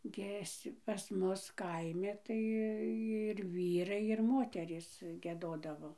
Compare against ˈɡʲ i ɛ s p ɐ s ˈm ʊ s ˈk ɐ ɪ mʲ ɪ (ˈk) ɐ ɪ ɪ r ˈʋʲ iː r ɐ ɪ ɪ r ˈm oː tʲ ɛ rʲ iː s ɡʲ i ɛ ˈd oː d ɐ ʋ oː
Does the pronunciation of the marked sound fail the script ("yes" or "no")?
yes